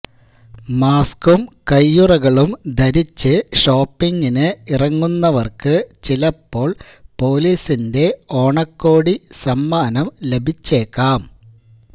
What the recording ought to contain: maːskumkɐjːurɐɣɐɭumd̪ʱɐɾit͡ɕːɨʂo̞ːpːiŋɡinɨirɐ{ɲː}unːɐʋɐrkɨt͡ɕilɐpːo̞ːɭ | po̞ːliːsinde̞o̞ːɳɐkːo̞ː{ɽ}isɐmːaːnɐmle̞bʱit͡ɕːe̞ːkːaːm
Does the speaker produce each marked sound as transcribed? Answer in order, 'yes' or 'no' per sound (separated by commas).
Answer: no, yes